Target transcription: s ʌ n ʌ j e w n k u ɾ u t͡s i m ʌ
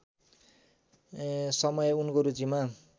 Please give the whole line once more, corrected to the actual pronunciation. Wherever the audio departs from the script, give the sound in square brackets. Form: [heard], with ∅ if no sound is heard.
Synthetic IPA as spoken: s ʌ [m] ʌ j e [u] n k [o] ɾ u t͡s i m [a]